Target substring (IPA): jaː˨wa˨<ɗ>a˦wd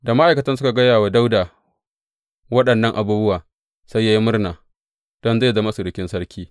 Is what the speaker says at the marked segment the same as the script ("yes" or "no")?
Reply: no